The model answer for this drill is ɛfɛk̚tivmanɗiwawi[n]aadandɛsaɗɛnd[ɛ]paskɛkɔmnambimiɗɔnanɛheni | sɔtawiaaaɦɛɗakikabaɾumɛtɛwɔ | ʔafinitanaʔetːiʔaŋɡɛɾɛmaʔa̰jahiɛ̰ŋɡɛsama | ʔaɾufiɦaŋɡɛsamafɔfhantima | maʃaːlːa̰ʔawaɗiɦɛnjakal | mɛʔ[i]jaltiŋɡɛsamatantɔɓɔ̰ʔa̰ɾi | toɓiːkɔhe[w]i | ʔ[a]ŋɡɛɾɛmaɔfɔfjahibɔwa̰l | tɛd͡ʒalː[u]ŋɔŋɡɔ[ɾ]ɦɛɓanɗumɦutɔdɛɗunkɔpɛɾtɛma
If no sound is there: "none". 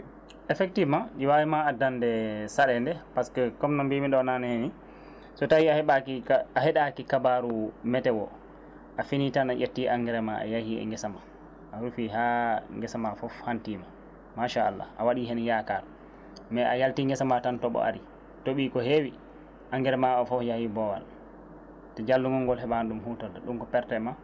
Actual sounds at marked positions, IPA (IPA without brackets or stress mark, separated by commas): m, ɛ, a, w, a, u, l